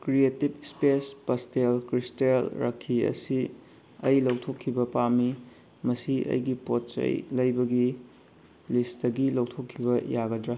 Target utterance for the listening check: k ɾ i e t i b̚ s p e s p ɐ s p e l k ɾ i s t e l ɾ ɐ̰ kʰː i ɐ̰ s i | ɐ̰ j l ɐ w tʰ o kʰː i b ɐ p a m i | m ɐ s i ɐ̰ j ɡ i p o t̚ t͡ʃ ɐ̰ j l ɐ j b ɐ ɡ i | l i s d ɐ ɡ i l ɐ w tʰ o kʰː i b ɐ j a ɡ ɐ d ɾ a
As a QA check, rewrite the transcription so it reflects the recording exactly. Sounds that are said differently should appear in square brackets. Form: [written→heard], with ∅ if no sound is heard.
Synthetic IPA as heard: k ɾ i e t i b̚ s p e s p ɐ s [p→t] e l k ɾ i s t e l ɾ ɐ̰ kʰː i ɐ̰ s i | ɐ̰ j l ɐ w tʰ o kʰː i b ɐ p a m i | m ɐ s i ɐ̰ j ɡ i p o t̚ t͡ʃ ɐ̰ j l ɐ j b ɐ ɡ i | l i s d ɐ ɡ i l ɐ w tʰ o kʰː i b ɐ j a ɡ ɐ d ɾ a